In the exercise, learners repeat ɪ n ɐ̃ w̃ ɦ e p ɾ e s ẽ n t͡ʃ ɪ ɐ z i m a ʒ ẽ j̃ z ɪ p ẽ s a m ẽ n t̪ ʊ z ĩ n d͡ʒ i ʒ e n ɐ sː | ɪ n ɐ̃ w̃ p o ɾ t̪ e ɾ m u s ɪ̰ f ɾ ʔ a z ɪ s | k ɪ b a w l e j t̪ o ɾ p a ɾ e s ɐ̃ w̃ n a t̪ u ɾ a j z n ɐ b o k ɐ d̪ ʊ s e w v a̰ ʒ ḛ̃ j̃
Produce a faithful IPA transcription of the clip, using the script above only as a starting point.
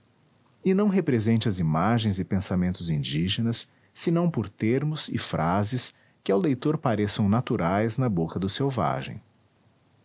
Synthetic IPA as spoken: ɪ n ɐ̃ w̃ ɦ e p ɾ e z ẽ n t͡ʃ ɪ ɐ z i m a ʒ ẽ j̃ z ɪ p ẽ s a m ẽ n t̪ ʊ z ĩ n d͡ʒ i ʒ e n ɐ sː | ɪ n ɐ̃ w̃ p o ɾ t̪ e ɾ m ʊ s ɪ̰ f ɾ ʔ a z ɪ s | k ɪ a w l e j t̪ o ɾ p a ɾ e s ɐ̃ w̃ n a t̪ u ɾ a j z n ɐ b o k ɐ d̪ ʊ s e w v a̰ ʒ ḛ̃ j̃

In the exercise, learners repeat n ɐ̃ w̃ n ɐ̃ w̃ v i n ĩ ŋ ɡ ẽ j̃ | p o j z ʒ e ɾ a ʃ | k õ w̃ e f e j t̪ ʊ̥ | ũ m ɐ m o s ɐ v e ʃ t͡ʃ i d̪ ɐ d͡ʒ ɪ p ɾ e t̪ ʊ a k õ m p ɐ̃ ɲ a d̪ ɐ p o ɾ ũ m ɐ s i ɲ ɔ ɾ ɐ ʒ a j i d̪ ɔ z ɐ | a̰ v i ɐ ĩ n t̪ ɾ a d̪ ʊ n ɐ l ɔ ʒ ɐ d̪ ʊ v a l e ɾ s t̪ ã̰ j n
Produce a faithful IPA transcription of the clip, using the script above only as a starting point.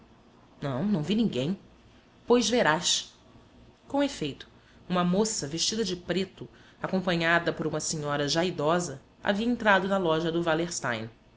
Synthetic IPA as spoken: n ɐ̃ w̃ n ɐ̃ w̃ v i n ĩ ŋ ɡ ẽ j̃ | p o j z v e ɾ a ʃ | k õ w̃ e f e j t̪ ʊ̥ | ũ m ɐ m o s ɐ v e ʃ t͡ʃ i d̪ ɐ d͡ʒ ɪ p ɾ e t̪ ʊ a k õ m p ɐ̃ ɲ a d̪ ɐ p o ɾ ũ m ɐ s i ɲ ɔ ɾ ɐ ʒ a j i d̪ ɔ z ɐ | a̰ v i ɐ ẽ n t̪ ɾ a d̪ ʊ n ɐ l ɔ ʒ ɐ d̪ ʊ v a l e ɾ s t̪ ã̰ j n

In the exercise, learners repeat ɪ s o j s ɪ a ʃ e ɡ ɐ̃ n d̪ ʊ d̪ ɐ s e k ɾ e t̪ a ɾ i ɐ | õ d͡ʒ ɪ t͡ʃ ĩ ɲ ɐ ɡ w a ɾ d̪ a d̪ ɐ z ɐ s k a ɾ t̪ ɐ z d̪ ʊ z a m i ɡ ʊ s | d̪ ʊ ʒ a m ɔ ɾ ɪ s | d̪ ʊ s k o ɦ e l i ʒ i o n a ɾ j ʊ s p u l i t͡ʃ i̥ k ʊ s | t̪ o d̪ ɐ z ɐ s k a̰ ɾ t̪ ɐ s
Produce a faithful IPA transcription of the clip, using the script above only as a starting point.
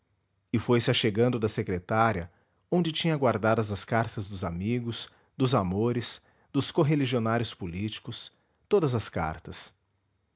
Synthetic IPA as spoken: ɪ f o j s ɪ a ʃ e ɡ ɐ̃ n d̪ ʊ d̪ ɐ s e k ɾ e t̪ a ɾ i ɐ | õ d͡ʒ ɪ t͡ʃ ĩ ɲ ɐ ɡ w a ɾ d̪ a d̪ ɐ z ɐ s k a ɾ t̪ ɐ z d̪ ʊ z a m i ɡ ʊ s | d̪ ʊ z a m o ɾ ɪ s | d̪ ʊ s k o ɦ e l i ʒ i o n a ɾ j ʊ s p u l i t͡ʃ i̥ k ʊ s | t̪ o d̪ ɐ z ɐ s k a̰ ɾ t̪ ɐ s

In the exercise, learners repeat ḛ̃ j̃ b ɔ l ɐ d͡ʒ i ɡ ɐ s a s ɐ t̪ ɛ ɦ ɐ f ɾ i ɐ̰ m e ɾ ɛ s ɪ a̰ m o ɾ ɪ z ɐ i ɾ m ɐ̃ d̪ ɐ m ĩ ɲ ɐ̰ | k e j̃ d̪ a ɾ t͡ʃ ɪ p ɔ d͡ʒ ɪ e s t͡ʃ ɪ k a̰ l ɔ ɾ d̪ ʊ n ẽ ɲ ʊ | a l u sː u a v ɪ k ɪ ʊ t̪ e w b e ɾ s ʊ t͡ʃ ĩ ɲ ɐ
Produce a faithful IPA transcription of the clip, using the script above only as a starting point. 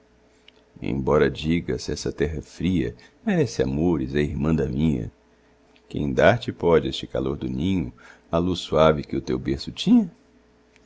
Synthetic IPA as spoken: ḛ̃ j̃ b ɔ ɾ ɐ d͡ʒ i ɡ ɐ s ɛ s ɐ t̪ ɛ ɦ ɐ f ɾ i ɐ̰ m e ɾ ɛ s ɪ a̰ m o ɾ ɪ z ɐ i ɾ m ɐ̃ d̪ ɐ m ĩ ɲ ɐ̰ | k ẽ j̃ d̪ a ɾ t͡ʃ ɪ p ɔ d͡ʒ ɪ e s t͡ʃ ɪ k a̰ l o ɾ d̪ ʊ n ĩ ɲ ʊ | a l u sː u a v ɪ k ɪ ʊ t̪ e w b e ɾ s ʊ t͡ʃ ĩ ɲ ɐ

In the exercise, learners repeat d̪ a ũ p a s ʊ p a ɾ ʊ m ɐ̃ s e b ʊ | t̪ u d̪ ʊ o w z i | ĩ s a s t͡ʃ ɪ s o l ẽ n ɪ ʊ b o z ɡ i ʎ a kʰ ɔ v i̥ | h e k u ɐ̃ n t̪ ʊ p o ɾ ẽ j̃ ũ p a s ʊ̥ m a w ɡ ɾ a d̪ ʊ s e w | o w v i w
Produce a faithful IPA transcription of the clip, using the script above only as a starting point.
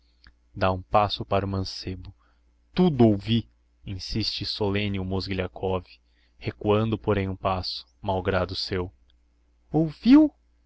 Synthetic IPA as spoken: d̪ a ũ p a s ʊ p a ɾ ʊ m ɐ̃ s e b ʊ | t̪ u d̪ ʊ o w v i | ĩ s i s t͡ʃ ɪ s o l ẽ n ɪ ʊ m o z ɡ i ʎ a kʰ ɔ v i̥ | h e k u ɐ̃ n d̪ ʊ p o ɾ ẽ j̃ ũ p a s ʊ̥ m a w ɡ ɾ a d̪ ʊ s e w | o w v i w

